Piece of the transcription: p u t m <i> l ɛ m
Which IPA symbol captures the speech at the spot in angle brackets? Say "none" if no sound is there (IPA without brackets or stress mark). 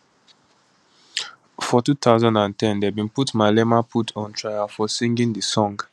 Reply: a